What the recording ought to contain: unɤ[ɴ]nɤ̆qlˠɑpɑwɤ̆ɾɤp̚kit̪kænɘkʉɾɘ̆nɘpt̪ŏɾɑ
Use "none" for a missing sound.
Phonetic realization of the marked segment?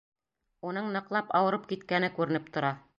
ɴ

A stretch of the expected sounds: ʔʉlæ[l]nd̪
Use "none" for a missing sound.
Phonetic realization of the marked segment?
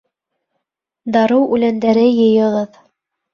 none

